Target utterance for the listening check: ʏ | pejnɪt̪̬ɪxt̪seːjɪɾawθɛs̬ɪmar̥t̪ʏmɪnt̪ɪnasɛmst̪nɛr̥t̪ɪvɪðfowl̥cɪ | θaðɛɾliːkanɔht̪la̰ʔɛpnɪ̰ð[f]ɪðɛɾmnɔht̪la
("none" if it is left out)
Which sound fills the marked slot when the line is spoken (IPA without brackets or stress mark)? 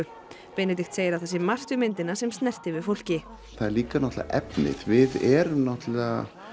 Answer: v